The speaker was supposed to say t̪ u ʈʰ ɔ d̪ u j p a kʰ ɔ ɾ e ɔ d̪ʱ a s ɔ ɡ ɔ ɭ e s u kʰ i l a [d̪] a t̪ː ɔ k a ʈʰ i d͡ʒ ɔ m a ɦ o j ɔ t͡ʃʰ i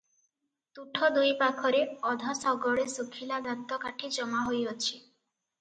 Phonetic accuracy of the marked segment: correct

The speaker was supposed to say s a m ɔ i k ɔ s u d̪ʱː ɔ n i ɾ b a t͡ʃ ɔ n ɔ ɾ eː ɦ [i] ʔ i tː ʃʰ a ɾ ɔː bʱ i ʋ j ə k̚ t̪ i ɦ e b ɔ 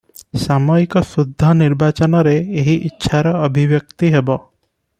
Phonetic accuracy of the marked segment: correct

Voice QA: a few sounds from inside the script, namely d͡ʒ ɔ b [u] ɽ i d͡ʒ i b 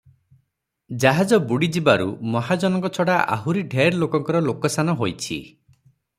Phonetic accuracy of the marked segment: correct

